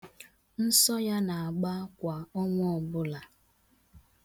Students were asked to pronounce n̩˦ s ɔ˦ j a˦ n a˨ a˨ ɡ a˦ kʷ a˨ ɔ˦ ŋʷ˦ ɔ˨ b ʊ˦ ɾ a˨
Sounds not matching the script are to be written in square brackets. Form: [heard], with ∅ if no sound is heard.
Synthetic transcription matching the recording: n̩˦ s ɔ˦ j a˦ n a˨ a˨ [ɡ͡b] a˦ kʷ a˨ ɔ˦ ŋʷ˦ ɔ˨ b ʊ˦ [l] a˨